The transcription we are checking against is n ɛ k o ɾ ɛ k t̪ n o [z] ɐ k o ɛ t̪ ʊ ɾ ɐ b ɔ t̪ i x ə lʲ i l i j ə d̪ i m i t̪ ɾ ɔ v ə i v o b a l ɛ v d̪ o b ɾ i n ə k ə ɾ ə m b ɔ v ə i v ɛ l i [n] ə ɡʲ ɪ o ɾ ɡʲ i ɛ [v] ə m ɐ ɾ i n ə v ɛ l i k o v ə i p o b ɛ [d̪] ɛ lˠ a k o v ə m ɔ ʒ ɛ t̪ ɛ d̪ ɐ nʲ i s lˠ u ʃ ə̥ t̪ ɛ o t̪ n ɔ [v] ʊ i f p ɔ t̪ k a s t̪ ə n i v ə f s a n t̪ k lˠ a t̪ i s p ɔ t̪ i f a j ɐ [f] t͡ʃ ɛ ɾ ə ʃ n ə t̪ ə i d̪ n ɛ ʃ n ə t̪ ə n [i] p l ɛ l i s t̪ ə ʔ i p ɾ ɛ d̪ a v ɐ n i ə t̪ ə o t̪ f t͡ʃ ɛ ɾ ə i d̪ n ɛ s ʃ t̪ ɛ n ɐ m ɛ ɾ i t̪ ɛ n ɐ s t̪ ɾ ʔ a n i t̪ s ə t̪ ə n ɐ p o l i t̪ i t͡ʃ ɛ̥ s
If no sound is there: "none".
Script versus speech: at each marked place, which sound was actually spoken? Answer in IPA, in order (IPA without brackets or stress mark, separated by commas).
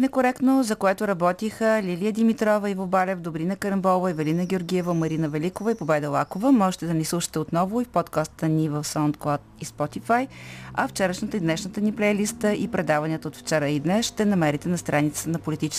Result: z, n, v, d̪, v, f, i